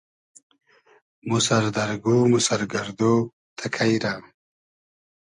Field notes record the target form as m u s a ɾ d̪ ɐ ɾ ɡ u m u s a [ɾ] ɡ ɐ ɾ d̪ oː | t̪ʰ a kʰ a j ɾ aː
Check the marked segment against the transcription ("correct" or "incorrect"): correct